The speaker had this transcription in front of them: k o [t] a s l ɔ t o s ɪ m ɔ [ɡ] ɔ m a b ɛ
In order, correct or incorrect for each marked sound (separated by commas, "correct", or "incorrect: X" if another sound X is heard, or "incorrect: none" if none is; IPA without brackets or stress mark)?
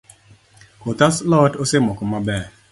correct, incorrect: k